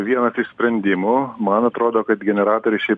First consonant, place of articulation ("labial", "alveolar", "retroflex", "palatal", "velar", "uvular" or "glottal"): labial